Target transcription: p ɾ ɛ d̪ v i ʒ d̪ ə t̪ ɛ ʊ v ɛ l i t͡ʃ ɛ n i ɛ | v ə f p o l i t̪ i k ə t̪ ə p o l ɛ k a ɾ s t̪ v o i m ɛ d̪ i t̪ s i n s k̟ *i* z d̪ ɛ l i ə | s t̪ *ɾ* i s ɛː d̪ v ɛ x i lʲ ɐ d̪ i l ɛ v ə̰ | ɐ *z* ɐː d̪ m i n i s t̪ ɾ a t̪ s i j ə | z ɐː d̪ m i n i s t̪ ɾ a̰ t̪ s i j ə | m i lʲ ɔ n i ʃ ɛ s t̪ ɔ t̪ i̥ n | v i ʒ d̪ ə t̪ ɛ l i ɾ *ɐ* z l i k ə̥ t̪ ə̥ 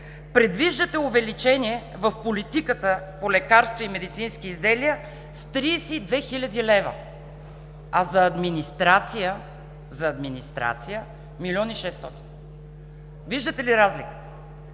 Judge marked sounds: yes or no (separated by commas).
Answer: no, yes, yes, no